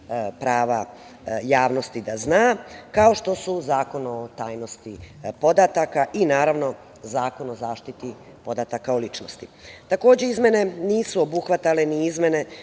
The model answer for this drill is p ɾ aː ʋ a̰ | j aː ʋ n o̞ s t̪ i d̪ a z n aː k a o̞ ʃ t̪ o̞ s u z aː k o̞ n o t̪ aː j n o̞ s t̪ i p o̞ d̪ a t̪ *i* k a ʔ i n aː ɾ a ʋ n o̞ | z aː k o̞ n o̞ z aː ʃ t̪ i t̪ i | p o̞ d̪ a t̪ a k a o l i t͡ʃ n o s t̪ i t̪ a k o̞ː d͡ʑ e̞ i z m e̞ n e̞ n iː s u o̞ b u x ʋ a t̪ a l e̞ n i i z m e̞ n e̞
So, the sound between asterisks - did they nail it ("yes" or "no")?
no